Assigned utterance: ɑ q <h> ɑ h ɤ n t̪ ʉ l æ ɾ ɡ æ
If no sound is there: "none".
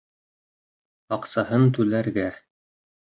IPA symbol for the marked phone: s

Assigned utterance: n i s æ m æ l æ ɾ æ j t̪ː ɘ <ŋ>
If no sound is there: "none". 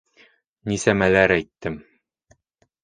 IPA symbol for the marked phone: m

